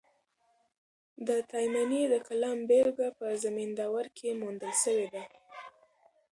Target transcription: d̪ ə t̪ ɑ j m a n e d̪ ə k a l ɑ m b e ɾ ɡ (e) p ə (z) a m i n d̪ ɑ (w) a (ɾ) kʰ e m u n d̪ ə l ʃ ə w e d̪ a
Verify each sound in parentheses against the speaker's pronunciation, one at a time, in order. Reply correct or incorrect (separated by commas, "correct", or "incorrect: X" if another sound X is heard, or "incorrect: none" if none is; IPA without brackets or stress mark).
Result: incorrect: a, correct, correct, correct